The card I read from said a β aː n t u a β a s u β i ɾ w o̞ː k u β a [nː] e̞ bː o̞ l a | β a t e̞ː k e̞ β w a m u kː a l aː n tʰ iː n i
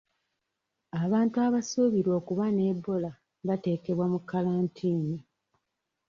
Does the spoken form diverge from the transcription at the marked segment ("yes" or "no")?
yes